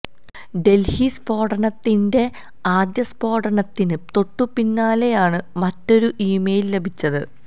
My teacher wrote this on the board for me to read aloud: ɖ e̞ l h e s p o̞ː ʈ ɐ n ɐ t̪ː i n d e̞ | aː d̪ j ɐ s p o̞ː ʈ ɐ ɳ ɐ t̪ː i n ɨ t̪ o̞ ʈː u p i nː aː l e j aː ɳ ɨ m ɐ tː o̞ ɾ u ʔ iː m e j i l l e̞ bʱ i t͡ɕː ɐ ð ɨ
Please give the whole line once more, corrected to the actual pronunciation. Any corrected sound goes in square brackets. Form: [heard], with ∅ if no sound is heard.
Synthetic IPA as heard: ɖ e̞ l h [i] s p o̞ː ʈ ɐ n ɐ t̪ː i n d e̞ | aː d̪ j ɐ s p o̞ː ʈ ɐ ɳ ɐ t̪ː i n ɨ t̪ o̞ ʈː u p i nː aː l e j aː ɳ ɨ m ɐ tː o̞ ɾ u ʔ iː m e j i l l e̞ bʱ i t͡ɕː ɐ ð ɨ

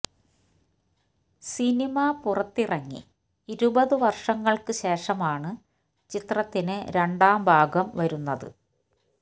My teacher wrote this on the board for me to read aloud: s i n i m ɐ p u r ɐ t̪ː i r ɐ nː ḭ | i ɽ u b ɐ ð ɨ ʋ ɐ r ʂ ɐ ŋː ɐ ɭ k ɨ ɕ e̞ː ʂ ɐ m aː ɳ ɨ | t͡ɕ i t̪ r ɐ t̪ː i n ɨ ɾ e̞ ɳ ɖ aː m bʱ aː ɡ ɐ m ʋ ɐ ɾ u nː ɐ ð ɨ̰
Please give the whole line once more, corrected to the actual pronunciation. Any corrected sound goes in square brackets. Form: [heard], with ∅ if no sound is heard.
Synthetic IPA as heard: s i n i m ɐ p u r ɐ t̪ː i r ɐ [ŋː] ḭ | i [ɾ] u b ɐ ð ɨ ʋ ɐ r ʂ ɐ ŋː ɐ ɭ k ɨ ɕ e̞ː ʂ ɐ m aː ɳ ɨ | t͡ɕ i t̪ r ɐ t̪ː i n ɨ ɾ e̞ ɳ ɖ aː m bʱ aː ɡ ɐ m ʋ ɐ ɾ u nː ɐ ð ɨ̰

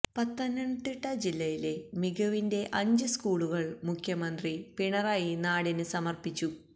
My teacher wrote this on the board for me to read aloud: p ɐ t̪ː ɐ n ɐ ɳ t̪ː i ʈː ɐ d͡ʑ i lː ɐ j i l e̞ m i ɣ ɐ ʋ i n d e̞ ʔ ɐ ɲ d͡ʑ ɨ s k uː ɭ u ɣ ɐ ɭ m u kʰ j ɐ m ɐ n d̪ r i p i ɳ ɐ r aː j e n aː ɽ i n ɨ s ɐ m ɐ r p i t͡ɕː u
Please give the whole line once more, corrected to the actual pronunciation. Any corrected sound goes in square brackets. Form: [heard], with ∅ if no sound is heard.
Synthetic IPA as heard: p ɐ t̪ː ɐ n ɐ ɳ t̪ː i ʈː ɐ d͡ʑ i lː ɐ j i l e̞ m i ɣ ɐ ʋ i n d e̞ ʔ ɐ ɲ d͡ʑ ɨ s k uː ɭ u ɣ ɐ ɭ m u kʰ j ɐ m ɐ n d̪ r i p i ɳ ɐ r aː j [i] n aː ɽ i n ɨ s ɐ m ɐ r p i t͡ɕː u

